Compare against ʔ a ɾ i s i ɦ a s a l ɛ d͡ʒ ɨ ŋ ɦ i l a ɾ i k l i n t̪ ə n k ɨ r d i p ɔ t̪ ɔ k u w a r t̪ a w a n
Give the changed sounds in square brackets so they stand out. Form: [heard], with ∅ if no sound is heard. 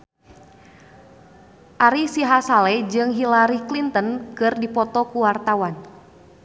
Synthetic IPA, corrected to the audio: ʔ a ɾ i s i ɦ a s a l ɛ d͡ʒ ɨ ŋ ɦ i l a ɾ i k l i n t̪ ə n k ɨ r d i p ɔ t̪ ɔ k u w a r t̪ a w a n